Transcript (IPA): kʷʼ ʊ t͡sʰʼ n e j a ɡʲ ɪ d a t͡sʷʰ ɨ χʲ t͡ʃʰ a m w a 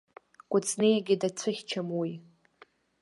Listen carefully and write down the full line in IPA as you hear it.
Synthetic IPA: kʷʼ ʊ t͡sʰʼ n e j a ɡʲ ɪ d a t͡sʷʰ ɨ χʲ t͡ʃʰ a m w i